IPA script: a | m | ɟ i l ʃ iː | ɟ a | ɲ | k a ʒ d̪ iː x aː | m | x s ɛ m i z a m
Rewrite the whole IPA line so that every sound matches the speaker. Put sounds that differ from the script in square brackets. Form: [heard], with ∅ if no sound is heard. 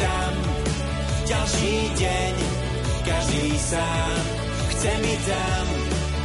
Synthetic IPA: a | m | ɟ [a] l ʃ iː | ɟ [ɛ] | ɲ | k a ʒ d̪ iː [s] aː | m | x [t͡s] ɛ m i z a m